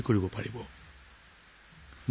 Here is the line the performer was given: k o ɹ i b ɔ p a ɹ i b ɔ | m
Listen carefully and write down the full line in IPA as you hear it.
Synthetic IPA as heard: k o ɹ i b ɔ p a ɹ i b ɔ | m